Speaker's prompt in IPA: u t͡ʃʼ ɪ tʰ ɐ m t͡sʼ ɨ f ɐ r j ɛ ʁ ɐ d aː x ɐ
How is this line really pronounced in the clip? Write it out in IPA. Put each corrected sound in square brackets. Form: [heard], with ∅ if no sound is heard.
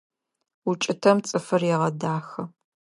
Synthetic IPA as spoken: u t͡ʃʼ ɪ tʰ ɐ m t͡sʼ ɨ f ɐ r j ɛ ʁ ɐ d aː x ɐ